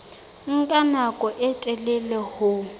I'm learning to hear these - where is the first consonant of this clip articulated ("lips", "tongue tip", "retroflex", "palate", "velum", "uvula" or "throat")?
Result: velum